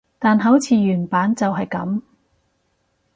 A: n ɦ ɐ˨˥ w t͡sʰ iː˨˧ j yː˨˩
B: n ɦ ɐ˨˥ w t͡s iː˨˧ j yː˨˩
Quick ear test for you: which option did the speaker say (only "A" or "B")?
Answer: A